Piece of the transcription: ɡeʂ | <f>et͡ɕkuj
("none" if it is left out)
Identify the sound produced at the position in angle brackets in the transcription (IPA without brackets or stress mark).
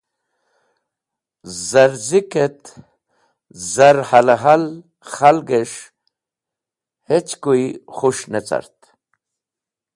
h